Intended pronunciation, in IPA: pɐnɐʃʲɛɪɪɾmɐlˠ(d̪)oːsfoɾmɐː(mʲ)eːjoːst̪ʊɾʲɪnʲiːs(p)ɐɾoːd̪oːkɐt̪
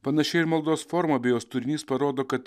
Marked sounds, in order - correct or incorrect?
correct, incorrect, correct

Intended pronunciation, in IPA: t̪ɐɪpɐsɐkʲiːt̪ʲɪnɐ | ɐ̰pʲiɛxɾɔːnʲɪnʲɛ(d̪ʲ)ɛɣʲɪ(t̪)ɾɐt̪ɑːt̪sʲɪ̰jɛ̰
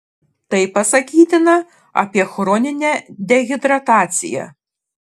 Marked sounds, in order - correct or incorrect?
correct, incorrect

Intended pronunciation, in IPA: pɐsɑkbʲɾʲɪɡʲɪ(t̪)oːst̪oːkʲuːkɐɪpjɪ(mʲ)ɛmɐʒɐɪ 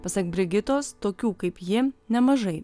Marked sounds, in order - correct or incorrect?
correct, incorrect

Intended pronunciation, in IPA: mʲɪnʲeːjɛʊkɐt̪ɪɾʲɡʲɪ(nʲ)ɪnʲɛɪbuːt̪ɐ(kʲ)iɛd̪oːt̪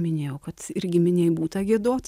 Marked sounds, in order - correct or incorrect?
incorrect, incorrect

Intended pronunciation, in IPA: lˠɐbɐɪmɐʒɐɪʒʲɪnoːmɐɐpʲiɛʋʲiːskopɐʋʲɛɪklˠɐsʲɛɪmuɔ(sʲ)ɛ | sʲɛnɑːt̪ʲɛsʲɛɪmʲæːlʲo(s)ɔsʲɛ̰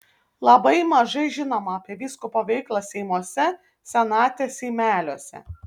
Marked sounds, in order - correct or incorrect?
correct, incorrect

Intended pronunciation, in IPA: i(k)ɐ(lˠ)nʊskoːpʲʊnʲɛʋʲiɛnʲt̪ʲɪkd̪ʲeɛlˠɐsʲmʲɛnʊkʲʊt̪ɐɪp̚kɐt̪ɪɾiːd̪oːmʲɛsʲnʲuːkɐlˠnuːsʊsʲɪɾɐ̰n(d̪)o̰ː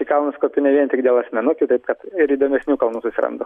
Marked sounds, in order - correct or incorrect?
correct, correct, correct

